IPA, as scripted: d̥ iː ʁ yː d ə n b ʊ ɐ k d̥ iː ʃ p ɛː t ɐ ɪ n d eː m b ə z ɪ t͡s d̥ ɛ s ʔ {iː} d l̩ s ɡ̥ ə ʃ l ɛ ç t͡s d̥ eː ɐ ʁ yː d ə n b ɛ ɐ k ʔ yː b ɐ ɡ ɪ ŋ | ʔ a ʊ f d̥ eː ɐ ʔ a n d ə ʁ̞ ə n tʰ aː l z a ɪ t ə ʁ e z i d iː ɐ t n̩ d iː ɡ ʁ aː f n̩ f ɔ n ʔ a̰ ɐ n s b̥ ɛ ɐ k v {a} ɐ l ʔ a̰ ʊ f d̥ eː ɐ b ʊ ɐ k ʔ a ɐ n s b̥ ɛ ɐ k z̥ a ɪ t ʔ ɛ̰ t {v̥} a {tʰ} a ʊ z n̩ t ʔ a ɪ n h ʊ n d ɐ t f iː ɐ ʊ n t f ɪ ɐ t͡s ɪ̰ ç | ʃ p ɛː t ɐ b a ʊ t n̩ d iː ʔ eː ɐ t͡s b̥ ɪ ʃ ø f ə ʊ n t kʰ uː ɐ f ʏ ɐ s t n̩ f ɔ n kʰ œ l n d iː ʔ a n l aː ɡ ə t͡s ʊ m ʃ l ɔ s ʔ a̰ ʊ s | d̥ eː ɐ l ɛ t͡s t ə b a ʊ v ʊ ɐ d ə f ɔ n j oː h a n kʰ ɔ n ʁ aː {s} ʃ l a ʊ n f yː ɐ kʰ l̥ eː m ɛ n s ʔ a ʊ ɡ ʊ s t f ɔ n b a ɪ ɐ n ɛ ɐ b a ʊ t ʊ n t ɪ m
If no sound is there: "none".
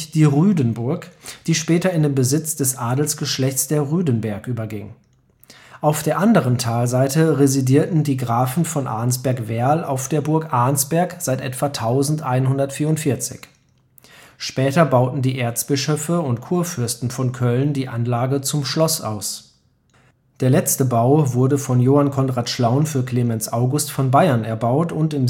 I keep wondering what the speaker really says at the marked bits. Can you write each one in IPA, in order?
aː, ɛ, v̥, tʰ, t

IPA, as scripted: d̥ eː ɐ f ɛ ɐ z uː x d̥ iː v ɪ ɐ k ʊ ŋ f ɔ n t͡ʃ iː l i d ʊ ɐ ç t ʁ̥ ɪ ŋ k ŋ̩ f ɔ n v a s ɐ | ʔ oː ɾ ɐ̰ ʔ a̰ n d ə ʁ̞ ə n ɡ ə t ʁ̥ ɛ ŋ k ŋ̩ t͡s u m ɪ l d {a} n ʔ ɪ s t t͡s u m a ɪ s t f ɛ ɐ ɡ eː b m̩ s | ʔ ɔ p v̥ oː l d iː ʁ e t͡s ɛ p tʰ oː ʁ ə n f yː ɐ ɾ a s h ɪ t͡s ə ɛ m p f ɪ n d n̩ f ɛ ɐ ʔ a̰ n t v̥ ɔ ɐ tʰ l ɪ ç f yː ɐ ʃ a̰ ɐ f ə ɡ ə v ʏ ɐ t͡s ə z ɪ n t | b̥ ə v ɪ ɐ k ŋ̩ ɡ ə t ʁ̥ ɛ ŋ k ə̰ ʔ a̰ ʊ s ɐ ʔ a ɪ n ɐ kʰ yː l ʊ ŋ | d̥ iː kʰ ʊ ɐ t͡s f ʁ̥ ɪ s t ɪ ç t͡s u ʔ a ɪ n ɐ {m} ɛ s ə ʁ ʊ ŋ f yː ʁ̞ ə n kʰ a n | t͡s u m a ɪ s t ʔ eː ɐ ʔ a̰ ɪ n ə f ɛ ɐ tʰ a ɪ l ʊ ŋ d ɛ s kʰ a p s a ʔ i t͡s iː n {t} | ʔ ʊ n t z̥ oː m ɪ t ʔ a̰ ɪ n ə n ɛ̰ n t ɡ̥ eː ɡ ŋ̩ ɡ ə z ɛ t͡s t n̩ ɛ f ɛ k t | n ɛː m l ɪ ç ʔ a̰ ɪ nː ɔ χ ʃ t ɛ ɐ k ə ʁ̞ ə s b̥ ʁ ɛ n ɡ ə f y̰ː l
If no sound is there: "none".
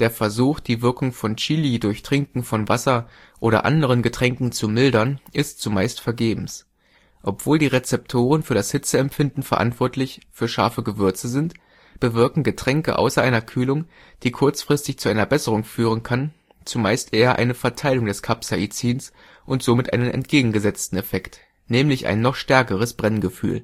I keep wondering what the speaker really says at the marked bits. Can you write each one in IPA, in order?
ɐ, b, s

